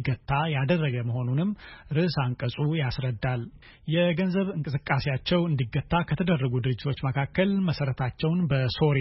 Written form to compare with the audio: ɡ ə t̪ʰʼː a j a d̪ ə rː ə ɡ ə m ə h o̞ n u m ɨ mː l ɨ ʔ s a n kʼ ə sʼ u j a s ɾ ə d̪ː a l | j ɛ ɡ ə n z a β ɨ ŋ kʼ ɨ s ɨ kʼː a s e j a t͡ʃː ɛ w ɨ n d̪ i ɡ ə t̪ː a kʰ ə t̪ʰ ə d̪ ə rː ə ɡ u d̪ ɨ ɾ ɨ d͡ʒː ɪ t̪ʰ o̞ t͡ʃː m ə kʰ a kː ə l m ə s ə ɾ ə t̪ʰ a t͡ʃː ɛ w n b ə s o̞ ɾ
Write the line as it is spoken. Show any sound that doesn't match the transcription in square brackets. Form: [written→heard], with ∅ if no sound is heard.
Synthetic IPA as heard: ɡ ə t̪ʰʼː a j a d̪ ə rː ə ɡ ə m ə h o̞ n u [m→n] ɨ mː [l→ɾ] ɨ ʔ s a [n→ŋ] kʼ ə sʼ u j a s ɾ ə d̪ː a l | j ɛ ɡ ə n z [a→ə] β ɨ ŋ kʼ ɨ s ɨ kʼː a s e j a t͡ʃː ɛ w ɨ n d̪ i ɡ ə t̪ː a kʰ ə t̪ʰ ə d̪ ə rː ə ɡ u d̪ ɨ ɾ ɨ d͡ʒː ɪ t̪ʰ o̞ t͡ʃː m ə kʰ a kː ə l m ə s ə ɾ ə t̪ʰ a t͡ʃː ɛ w n b ə s o̞ ɾ